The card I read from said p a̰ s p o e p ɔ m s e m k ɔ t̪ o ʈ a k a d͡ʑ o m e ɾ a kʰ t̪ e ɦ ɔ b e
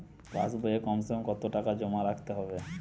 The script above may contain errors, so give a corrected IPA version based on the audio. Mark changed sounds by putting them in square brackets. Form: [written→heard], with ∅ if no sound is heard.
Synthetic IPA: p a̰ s [p→b] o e [p→k] ɔ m s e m k ɔ t̪ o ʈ a k a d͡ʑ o m [e→a] ɾ a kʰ t̪ e ɦ ɔ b e